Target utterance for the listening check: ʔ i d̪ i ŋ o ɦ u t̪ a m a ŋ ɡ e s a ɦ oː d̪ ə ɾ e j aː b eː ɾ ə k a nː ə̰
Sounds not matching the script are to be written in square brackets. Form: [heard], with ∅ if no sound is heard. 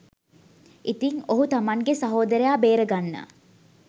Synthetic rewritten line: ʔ i [t̪] i ŋ o ɦ u t̪ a m a ŋ ɡ e s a ɦ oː d̪ ə ɾ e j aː b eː ɾ ə [ɡ] a nː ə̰

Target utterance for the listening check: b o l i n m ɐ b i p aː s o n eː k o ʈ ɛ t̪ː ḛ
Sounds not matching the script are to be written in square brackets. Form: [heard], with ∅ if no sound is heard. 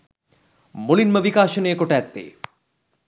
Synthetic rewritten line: [m] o l i n m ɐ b i [k] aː [ʃ] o n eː k o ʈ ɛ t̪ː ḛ

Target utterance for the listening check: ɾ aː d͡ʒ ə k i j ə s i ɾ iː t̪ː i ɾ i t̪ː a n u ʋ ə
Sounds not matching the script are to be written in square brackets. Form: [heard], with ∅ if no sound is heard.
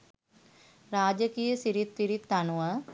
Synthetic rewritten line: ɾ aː d͡ʒ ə k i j ə s i ɾ [i] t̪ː i ɾ i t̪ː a n u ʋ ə

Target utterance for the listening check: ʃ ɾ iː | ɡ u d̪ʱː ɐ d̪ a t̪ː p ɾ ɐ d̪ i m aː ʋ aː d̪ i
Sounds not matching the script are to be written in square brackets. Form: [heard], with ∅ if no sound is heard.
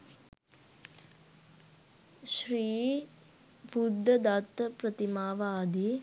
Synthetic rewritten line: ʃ ɾ iː | [b] u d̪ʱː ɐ d̪ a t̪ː p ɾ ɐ [t̪] i m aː ʋ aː d̪ i

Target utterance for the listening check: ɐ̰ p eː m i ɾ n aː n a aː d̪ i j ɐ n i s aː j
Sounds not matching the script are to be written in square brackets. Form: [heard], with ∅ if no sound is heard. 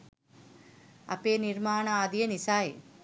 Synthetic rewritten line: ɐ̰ p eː [n] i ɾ [m] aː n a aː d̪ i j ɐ n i s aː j

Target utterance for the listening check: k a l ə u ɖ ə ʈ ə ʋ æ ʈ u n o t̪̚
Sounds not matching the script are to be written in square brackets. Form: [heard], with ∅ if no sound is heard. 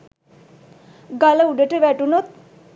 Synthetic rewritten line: [ɡ] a l ə u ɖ ə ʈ ə ʋ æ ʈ u n o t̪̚

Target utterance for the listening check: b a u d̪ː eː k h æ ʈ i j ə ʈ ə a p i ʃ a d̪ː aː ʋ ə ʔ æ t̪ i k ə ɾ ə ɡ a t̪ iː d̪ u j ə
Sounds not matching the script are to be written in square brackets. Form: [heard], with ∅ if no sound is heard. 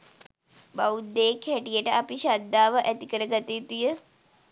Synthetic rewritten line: b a u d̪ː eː k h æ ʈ i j ə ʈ ə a p i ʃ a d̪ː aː ʋ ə ʔ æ t̪ i k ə ɾ ə ɡ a t̪ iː [t̪] u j ə

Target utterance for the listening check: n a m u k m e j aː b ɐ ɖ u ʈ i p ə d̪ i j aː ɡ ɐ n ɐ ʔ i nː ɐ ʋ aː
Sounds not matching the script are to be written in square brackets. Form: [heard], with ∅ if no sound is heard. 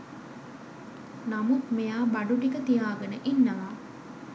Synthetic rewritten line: n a m u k m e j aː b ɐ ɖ u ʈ i [k] ə [t̪] i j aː ɡ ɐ n [ə] ʔ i nː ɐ ʋ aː

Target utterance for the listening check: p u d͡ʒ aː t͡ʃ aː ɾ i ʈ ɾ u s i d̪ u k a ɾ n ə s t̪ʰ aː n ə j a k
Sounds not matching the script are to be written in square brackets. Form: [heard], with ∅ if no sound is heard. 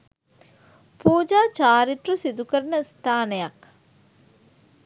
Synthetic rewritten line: p [uː] d͡ʒ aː t͡ʃ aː ɾ i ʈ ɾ u s i d̪ u k [ə] ɾ n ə s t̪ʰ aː n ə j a k

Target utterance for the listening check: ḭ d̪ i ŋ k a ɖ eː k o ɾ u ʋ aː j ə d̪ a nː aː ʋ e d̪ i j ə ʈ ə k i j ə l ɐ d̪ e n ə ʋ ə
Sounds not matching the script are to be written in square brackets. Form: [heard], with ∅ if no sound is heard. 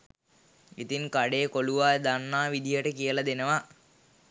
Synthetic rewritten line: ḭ [t̪] i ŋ k a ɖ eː k o [l] u ʋ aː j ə d̪ a nː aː ʋ [i] d̪ i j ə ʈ ə k i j ə l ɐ d̪ e n ə ʋ [a]

